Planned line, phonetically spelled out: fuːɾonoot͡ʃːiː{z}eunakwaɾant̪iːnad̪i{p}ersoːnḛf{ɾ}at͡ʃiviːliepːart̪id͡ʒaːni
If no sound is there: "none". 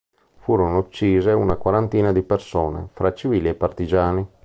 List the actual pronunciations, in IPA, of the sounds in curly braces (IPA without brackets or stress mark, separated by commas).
z, p, ɾ